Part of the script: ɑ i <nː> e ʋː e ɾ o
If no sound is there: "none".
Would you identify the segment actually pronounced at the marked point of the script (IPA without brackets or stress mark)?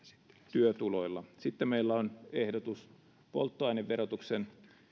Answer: n